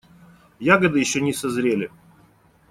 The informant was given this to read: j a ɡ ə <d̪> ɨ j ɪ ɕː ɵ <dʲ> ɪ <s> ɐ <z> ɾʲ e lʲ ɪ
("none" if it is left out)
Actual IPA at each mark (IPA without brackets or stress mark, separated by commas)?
d̪, nʲ, s, z